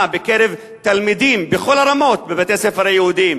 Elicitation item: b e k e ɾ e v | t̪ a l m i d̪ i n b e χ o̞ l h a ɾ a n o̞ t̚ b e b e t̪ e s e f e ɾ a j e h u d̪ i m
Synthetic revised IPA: b e k e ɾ e v | t̪ a l m i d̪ i m b e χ o̞ l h a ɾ a m o̞ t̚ b e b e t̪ e s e f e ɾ a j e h u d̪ i m